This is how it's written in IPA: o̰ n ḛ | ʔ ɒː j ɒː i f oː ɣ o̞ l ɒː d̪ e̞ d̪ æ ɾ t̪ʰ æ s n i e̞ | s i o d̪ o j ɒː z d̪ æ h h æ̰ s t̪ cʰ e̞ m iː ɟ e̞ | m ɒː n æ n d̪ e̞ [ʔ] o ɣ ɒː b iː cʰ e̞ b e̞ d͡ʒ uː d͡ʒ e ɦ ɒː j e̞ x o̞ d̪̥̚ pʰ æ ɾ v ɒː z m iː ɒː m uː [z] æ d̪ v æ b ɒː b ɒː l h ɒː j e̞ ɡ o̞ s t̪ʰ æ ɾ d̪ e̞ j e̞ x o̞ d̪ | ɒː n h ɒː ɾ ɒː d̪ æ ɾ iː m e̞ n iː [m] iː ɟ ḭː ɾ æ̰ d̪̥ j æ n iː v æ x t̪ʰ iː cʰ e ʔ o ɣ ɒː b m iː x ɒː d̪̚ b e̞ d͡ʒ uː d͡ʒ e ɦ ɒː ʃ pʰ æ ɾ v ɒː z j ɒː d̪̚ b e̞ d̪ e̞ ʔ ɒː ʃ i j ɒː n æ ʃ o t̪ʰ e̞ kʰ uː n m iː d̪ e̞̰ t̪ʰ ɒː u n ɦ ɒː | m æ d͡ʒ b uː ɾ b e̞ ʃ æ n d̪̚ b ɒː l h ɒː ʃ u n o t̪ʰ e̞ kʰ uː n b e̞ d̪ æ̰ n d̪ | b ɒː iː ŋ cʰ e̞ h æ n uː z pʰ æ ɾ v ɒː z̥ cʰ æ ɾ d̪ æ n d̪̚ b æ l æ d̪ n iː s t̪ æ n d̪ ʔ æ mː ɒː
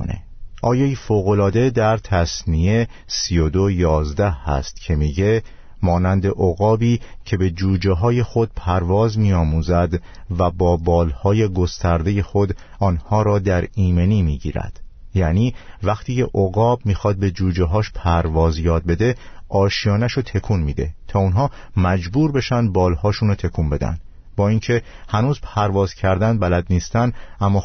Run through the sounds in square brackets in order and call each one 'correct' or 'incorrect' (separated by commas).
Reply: correct, correct, correct